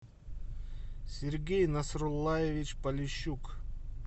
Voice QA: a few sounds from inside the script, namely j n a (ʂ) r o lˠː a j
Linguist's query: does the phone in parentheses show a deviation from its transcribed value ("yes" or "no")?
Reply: yes